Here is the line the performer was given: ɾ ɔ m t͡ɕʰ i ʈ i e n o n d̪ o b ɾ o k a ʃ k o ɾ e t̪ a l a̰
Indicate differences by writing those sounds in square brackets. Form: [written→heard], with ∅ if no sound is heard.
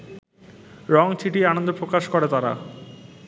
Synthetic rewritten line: ɾ ɔ [m→ŋ] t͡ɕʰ i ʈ i [e→a] n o n d̪ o [b→p] ɾ o k a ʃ k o ɾ e t̪ a [l→ɾ] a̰